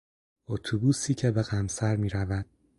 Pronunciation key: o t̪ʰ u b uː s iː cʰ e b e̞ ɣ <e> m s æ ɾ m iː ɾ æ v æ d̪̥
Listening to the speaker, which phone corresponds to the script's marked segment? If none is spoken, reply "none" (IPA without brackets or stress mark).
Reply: æ